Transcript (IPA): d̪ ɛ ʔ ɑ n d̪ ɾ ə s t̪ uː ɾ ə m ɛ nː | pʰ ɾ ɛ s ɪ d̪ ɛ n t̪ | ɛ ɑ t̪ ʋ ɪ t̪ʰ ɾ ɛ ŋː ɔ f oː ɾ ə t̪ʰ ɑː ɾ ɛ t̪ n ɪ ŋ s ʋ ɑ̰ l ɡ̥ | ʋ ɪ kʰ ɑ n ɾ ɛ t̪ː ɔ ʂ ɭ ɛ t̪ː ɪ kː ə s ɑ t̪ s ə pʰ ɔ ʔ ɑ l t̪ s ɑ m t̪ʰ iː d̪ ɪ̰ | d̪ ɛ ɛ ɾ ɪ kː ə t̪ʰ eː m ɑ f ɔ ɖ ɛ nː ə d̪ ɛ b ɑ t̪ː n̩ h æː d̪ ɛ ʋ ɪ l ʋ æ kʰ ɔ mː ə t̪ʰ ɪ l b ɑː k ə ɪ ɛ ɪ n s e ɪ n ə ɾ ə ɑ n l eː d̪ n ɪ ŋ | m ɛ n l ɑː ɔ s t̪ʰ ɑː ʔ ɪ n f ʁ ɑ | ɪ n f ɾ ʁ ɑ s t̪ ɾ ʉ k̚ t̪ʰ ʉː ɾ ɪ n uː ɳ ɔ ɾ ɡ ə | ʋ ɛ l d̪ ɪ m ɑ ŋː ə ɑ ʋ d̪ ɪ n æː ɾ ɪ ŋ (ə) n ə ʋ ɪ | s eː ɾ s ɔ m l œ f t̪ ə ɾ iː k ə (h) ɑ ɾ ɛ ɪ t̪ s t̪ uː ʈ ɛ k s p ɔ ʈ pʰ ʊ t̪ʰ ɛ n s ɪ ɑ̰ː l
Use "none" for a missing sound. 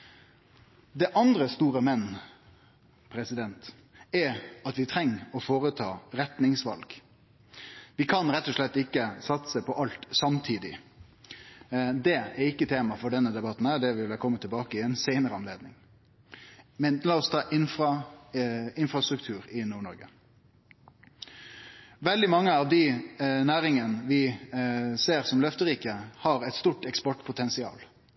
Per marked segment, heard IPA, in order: ə, h

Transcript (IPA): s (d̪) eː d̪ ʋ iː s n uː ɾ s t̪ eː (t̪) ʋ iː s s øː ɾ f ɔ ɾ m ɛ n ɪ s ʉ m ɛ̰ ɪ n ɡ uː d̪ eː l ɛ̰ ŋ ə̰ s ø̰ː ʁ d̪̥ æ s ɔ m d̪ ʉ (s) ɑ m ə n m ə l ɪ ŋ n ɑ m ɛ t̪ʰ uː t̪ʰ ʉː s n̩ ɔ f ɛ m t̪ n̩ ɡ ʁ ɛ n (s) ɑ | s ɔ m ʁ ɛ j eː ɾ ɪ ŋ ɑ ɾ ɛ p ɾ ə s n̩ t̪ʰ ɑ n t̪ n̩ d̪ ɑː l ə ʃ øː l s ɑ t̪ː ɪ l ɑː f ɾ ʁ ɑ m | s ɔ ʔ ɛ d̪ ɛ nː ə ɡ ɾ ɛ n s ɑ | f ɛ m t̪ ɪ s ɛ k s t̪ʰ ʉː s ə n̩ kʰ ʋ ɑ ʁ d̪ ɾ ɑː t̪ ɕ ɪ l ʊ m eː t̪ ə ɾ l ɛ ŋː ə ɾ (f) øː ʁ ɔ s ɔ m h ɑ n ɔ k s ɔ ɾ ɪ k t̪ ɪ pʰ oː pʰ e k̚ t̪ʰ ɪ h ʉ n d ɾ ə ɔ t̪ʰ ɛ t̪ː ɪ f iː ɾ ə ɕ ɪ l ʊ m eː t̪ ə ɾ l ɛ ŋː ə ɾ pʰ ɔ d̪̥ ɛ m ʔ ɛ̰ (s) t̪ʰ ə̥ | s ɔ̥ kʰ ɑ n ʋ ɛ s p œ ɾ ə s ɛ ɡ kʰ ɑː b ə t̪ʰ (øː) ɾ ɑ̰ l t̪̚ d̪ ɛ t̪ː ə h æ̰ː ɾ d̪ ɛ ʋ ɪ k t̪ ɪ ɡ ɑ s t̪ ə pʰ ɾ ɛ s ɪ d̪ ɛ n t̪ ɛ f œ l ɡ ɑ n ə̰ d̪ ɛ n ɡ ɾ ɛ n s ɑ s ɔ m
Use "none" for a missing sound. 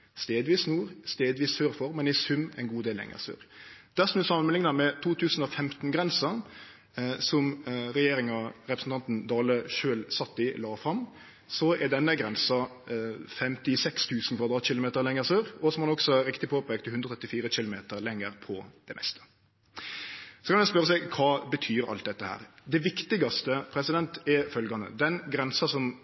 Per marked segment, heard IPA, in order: t̪, d̪, s, s, s, s, yː

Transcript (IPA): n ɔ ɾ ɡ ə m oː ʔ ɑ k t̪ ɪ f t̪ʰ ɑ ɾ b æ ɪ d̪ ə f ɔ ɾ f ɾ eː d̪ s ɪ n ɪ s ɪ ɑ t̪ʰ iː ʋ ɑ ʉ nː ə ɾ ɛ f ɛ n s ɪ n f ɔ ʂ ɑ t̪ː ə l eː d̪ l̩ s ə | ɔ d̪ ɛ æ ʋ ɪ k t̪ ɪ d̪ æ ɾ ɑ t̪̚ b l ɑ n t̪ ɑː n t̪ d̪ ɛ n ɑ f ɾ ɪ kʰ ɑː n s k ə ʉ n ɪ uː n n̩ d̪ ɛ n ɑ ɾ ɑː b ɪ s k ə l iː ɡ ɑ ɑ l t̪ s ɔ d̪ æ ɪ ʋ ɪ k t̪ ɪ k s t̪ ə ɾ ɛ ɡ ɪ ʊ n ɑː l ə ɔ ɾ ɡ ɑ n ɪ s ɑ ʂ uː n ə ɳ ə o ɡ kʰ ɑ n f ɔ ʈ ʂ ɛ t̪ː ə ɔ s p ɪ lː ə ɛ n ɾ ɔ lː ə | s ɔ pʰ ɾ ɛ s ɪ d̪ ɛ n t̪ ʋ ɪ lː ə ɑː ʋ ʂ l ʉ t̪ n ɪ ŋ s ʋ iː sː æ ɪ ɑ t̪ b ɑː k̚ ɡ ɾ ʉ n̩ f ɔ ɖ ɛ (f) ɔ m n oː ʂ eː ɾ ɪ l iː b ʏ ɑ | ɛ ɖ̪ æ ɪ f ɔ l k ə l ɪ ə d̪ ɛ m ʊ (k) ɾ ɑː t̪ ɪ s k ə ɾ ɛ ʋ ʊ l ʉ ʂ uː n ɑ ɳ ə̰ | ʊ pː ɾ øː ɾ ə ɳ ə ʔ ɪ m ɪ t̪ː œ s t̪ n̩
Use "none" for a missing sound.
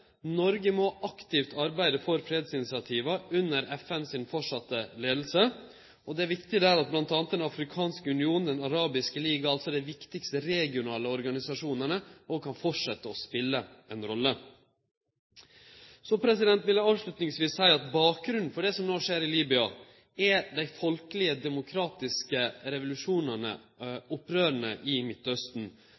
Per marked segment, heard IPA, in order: s, kʰ

